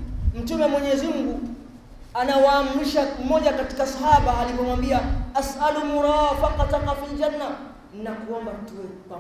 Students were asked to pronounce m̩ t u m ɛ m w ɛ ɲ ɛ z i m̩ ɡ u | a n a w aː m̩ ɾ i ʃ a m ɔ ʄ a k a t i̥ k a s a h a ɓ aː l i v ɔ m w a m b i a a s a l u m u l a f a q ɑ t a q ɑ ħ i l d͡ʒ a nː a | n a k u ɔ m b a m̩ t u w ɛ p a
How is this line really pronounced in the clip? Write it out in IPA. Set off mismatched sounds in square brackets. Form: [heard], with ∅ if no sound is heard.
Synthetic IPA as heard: m̩ t u m ɛ m w ɛ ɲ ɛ z i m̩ ɡ u | a n a w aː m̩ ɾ i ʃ a m ɔ ʄ a k a t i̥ k a s a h a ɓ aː l i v ɔ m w a m b i a a s a l u m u [ɾ] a f a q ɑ t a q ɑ [f] i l d͡ʒ a nː a | n a k u ɔ m b a m̩ t u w ɛ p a